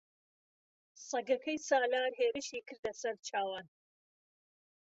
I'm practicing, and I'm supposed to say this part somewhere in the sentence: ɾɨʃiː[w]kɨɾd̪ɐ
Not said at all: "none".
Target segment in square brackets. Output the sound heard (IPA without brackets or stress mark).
none